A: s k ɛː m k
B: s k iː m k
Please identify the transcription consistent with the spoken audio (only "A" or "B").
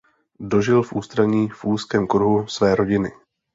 A